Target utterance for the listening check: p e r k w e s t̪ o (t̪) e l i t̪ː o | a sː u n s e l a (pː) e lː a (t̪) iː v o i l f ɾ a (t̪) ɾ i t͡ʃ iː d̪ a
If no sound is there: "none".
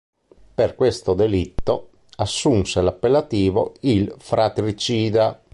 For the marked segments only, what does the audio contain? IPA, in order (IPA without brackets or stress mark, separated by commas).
d̪, pː, t̪, t̪